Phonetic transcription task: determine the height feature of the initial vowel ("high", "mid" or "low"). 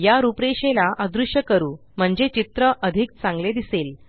low